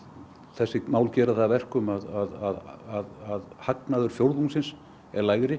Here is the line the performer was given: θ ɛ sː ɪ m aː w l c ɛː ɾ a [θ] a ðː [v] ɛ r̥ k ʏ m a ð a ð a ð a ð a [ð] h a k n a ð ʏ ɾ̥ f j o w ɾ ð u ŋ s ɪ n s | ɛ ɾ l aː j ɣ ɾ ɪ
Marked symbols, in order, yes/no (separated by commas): yes, yes, yes